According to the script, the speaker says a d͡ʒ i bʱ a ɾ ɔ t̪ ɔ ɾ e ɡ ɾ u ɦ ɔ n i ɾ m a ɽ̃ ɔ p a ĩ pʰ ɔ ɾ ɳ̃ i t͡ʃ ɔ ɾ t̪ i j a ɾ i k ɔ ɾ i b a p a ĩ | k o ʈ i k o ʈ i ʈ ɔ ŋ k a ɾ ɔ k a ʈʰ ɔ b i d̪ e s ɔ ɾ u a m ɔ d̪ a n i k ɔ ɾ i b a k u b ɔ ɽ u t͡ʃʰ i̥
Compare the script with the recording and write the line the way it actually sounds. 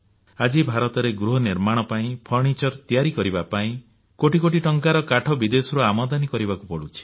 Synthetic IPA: a d͡ʒ i bʱ a ɾ ɔ t̪ ɔ ɾ e ɡ ɾ u ɦ ɔ n i ɾ m a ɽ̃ ɔ p a ĩ pʰ ɔ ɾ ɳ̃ i t͡ʃ ɔ ɾ t̪ i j a ɾ i k ɔ ɾ i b a p a ĩ | k o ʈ i k o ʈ i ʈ ɔ ŋ k a ɾ ɔ k a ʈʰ ɔ b i d̪ e s ɔ ɾ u a m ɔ d̪ a n i k ɔ ɾ i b a k u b ɔ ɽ u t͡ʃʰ i̥